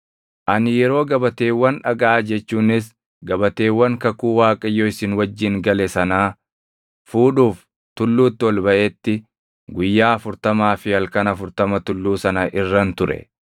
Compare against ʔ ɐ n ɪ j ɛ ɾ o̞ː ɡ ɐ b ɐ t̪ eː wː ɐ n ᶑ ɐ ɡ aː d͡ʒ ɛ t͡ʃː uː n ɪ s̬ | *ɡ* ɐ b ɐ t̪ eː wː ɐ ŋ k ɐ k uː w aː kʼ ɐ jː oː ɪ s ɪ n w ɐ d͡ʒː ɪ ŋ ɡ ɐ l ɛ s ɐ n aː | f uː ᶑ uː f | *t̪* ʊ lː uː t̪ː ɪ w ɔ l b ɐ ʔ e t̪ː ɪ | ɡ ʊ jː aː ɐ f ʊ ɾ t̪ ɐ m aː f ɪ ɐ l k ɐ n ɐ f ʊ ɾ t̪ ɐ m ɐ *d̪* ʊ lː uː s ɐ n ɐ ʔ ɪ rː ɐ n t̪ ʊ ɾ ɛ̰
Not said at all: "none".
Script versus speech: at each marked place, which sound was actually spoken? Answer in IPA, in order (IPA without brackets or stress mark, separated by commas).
ɡ, t̪, t̪